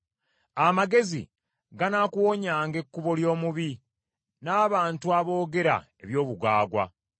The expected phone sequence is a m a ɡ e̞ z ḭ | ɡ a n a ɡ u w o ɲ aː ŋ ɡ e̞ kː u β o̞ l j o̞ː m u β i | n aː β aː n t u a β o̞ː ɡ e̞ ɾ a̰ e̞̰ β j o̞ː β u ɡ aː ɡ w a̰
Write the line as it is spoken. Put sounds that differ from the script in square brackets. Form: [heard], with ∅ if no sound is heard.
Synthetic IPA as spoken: a m a ɡ e̞ z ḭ | ɡ a n a [k] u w o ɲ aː ŋ ɡ e̞ kː u β o̞ l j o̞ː m u β i | n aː β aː n t u a β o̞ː ɡ e̞ ɾ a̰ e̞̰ β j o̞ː β u ɡ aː ɡ w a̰